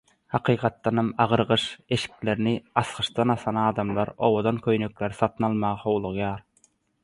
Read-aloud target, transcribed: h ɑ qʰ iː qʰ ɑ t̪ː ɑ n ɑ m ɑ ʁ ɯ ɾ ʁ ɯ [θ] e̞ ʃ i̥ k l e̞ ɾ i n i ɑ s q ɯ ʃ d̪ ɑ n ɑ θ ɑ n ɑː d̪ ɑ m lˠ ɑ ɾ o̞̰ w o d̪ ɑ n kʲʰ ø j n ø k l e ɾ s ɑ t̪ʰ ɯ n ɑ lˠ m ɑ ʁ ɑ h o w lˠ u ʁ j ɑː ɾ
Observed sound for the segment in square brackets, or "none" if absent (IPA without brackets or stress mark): ʃ